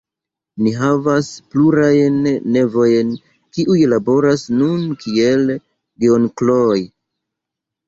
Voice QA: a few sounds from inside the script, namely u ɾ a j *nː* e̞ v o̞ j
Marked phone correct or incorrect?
correct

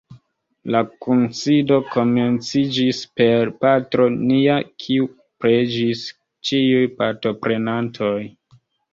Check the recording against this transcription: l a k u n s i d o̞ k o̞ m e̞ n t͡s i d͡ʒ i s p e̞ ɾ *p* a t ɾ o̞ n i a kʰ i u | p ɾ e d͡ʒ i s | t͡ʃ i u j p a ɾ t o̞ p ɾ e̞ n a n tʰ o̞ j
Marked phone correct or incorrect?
correct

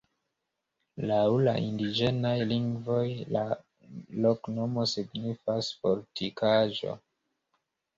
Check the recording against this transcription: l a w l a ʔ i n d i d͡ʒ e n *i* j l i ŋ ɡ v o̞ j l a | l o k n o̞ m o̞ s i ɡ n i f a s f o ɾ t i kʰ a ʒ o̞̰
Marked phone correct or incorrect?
incorrect: a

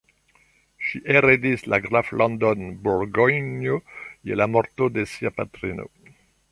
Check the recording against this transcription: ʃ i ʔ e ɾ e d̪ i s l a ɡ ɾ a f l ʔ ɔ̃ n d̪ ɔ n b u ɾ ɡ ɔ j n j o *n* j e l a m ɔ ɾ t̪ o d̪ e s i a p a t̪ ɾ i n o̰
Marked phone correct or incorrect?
incorrect: none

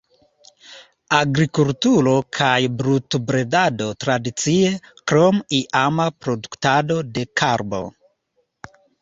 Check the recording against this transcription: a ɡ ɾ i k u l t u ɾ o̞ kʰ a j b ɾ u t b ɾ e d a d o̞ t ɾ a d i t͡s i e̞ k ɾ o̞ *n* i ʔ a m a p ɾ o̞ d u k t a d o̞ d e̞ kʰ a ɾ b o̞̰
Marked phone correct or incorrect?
incorrect: m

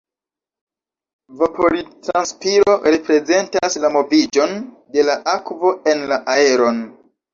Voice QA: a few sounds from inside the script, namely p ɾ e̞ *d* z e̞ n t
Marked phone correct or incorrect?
incorrect: none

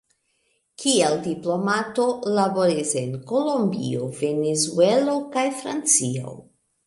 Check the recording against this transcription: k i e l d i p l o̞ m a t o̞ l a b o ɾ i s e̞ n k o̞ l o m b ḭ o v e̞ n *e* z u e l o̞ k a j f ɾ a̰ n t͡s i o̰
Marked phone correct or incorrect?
correct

